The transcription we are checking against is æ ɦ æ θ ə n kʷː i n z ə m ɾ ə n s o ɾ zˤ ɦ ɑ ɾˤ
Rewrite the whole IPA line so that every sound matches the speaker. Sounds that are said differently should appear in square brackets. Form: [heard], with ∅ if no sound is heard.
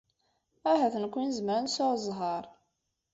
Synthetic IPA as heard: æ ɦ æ θ ə n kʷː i n z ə m ɾ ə n s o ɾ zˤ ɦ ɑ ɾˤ